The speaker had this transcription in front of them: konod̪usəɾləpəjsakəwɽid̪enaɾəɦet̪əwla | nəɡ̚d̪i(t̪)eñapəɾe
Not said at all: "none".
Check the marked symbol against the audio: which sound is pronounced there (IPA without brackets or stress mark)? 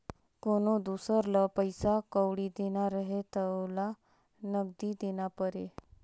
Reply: d̪